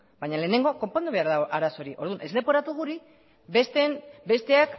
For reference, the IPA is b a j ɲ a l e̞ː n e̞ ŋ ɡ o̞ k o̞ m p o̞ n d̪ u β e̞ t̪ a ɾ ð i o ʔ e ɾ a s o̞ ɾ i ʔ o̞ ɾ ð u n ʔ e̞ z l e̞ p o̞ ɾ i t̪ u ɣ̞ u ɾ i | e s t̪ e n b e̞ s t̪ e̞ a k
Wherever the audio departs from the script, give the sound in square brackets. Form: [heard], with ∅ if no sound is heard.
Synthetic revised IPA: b a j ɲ a l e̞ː n e̞ ŋ ɡ o̞ k o̞ m p o̞ n d̪ u β e̞ [∅] a ɾ ð [a] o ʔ [a] ɾ a s o̞ ɾ i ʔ o̞ ɾ ð u n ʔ e̞ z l e̞ p o̞ ɾ [a] t̪ u ɣ̞ u ɾ i | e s t̪ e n b e̞ s t̪ e̞ a k